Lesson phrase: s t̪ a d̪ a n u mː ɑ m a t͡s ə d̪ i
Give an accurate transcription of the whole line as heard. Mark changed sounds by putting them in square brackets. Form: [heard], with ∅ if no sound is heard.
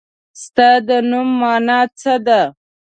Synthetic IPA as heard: s t̪ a d̪ [ə] n u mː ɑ [n] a t͡s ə d̪ [a]